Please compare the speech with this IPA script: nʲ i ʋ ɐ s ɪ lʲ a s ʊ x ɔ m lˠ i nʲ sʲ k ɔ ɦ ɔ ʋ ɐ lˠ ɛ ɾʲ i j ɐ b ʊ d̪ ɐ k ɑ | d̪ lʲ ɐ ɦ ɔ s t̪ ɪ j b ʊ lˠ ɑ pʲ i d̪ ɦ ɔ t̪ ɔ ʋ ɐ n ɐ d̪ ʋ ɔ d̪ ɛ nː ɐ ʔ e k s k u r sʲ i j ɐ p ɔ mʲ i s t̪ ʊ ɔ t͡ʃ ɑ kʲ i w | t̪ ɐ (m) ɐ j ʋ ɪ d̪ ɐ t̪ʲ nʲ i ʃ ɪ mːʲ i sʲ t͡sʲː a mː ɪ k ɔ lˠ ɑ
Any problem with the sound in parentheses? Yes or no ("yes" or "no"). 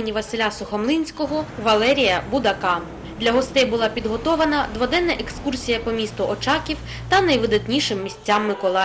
yes